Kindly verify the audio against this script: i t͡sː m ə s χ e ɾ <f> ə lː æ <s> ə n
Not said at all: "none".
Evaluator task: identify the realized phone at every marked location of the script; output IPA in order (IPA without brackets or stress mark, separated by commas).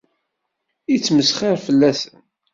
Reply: f, s